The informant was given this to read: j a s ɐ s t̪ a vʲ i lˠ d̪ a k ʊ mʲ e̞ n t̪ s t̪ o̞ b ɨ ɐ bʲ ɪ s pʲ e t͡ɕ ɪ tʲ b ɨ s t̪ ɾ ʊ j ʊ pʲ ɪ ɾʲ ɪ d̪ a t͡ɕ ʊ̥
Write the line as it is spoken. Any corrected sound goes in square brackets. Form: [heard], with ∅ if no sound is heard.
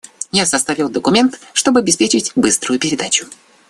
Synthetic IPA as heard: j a s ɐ s t̪ a vʲ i lˠ d̪ [ə] k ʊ mʲ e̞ n t̪ [ʂ] t̪ o̞ b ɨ ɐ bʲ ɪ s pʲ e t͡ɕ ɪ tʲ b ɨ s t̪ ɾ ʊ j ʊ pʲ ɪ ɾʲ ɪ d̪ a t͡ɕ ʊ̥